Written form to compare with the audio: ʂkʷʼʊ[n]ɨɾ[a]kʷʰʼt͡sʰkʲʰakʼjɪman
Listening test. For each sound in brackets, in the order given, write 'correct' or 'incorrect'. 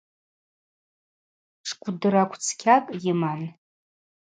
incorrect: d, correct

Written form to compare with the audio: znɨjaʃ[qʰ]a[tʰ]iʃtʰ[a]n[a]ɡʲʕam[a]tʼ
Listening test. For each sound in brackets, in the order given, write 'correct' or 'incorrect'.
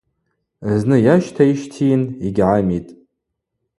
incorrect: tʰ, incorrect: none, incorrect: i, incorrect: i, incorrect: i

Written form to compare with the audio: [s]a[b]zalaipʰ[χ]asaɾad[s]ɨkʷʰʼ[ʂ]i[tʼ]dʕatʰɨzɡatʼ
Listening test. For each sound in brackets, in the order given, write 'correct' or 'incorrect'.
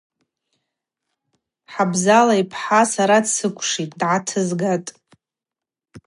incorrect: ħ, correct, incorrect: ħ, correct, correct, correct

